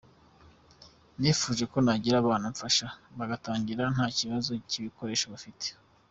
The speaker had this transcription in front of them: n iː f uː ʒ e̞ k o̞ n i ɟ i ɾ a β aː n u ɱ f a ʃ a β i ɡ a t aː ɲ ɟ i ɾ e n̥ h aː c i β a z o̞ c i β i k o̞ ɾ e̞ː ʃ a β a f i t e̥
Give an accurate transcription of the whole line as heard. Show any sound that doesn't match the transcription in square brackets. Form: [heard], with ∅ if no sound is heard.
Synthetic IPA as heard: n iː f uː ʒ e̞ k o̞ n [a] ɟ i ɾ a β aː n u ɱ f a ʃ a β [a] ɡ a t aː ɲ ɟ i ɾ [a] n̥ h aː c i β a z o̞ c i β i k o̞ ɾ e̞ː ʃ a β a f i t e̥